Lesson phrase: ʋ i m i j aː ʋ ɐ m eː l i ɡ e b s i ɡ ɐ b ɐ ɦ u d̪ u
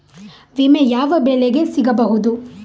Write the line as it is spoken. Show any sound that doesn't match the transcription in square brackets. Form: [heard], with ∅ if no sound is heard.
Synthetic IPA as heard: ʋ i m [e] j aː ʋ ɐ [b] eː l [e] ɡ e [∅] s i ɡ ɐ b ɐ ɦ u d̪ u